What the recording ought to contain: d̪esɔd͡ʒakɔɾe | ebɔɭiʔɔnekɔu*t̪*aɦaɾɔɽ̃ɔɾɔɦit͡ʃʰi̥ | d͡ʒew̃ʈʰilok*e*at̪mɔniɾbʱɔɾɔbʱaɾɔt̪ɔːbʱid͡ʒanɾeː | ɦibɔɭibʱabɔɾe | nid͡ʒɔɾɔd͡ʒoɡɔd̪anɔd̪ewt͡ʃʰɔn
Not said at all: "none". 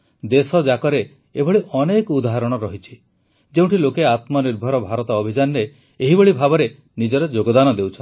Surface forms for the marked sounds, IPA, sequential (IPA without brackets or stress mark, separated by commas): d̪, e